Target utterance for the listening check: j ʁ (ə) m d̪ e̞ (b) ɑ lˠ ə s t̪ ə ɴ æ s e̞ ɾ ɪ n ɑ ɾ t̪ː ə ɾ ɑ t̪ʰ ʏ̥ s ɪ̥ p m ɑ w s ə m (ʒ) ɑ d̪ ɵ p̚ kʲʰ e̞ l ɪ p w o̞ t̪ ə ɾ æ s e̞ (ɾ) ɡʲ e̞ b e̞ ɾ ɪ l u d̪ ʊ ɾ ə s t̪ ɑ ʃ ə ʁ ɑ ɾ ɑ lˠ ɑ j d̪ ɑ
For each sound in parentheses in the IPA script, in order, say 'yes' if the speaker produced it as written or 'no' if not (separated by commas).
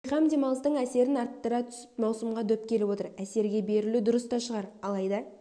no, no, no, yes